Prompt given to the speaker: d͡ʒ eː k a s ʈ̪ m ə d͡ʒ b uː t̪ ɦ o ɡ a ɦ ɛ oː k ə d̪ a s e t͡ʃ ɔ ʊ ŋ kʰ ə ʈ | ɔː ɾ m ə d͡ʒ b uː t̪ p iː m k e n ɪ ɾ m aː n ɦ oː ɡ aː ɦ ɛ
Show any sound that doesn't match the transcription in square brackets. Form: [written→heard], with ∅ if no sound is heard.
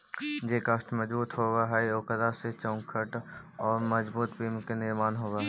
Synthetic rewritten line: d͡ʒ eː k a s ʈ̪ m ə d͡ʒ b uː t̪ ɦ o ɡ a ɦ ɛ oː k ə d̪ a s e t͡ʃ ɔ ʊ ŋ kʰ ə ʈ | ɔː ɾ m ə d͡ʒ b uː t̪ p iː m k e n ɪ ɾ m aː n ɦ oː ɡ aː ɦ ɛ